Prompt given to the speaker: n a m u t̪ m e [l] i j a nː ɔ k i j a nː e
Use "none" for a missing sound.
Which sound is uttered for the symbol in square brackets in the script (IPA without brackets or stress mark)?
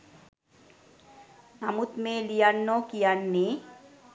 l